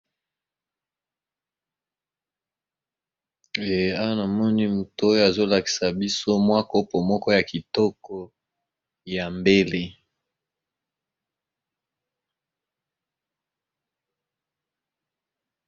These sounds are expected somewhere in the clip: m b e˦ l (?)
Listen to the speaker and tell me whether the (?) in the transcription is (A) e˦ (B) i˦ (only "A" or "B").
A